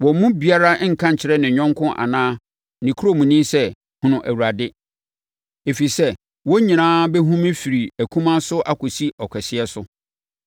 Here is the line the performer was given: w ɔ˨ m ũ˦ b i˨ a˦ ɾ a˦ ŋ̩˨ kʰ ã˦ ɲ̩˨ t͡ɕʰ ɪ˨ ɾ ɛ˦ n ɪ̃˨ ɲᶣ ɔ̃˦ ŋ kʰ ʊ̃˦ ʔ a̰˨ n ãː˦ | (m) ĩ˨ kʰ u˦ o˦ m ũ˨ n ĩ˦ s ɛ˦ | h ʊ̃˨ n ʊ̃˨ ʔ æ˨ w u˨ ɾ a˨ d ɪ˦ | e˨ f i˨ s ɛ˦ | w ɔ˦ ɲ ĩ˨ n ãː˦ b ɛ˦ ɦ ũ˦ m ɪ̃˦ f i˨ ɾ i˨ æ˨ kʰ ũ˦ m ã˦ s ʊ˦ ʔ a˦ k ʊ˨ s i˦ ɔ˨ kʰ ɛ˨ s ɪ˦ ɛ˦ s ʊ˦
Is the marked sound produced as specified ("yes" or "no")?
no